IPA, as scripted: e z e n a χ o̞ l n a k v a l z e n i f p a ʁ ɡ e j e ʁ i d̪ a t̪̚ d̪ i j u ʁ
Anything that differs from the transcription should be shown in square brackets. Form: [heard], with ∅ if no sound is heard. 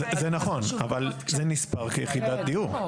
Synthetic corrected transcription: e z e n a χ o̞ [∅] n a [∅] v a l z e n i [s] p a ʁ [k] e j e [χ] i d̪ a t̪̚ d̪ i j u ʁ